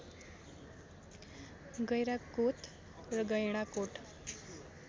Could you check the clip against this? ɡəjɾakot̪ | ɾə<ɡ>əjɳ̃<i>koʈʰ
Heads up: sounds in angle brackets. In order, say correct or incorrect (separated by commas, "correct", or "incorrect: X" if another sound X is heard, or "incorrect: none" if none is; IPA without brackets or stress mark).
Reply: correct, incorrect: a